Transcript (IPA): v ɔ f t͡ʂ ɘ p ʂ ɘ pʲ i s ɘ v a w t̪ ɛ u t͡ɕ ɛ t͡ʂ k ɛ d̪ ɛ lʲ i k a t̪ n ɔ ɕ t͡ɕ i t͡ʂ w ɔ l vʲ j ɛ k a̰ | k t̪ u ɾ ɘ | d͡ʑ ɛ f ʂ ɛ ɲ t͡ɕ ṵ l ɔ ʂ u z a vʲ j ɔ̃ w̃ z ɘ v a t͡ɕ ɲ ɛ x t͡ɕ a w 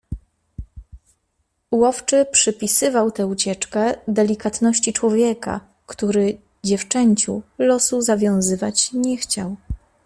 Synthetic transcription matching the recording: w ɔ f t͡ʂ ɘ p ʂ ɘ pʲ i s ɘ v a w t̪ ɛ u t͡ɕ ɛ t͡ʂ k ɛ d̪ ɛ lʲ i k a t̪ n ɔ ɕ t͡ɕ i t͡ʂ w ɔ vʲ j ɛ k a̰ | k t̪ u ɾ ɘ | d͡ʑ ɛ f t͡ʂ ɛ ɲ t͡ɕ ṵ l ɔ s u z a vʲ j ɔ̃ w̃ z ɘ v a t͡ɕ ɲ ɛ x t͡ɕ a w